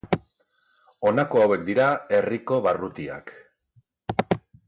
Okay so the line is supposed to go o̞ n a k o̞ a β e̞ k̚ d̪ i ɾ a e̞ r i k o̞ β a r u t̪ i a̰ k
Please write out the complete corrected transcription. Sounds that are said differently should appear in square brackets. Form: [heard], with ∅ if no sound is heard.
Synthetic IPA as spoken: o̞ n a k o̞ a [w] e̞ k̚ d̪ i ɾ a e̞ r i k o̞ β a r u t̪ i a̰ k